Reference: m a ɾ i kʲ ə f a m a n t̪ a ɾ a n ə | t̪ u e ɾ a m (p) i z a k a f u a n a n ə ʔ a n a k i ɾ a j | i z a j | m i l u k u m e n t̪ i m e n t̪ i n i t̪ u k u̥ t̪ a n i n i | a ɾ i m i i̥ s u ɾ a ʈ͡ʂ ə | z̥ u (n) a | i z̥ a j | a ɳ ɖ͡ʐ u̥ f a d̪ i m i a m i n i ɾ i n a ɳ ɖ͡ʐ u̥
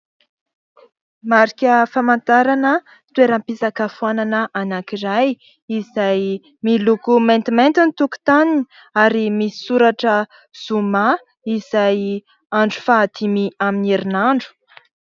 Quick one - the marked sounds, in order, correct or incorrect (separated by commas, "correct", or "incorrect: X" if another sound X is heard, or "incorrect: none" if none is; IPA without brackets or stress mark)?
correct, incorrect: m